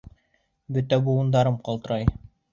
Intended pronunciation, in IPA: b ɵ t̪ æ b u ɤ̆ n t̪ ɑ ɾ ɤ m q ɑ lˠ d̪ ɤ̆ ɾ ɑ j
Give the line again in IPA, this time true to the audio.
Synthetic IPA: b ɵ t̪ æ b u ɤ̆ n d̪ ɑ ɾ ɤ m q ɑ lˠ t̪ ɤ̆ ɾ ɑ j